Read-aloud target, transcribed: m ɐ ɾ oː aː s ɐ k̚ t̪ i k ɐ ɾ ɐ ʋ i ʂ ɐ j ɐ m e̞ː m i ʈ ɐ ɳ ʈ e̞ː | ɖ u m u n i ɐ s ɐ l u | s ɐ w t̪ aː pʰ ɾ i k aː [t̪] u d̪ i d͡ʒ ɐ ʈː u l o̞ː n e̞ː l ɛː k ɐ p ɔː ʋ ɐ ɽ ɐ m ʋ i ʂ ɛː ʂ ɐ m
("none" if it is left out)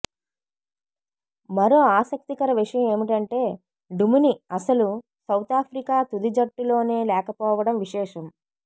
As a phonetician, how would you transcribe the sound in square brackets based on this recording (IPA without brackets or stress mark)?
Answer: t̪